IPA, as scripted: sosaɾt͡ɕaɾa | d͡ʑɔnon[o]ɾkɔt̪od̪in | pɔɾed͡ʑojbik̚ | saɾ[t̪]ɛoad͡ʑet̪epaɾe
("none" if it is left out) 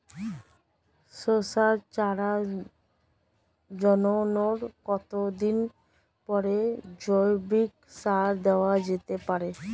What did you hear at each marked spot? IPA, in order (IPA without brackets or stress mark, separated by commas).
o, d̪